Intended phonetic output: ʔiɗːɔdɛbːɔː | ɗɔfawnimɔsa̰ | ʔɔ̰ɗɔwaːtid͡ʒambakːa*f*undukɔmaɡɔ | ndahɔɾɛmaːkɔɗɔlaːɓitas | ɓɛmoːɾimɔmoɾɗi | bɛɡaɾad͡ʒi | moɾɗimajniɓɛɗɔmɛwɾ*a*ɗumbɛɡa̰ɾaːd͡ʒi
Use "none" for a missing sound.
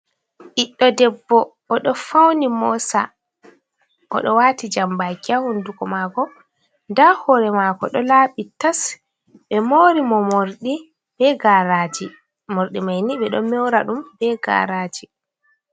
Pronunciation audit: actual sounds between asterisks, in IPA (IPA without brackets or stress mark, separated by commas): h, a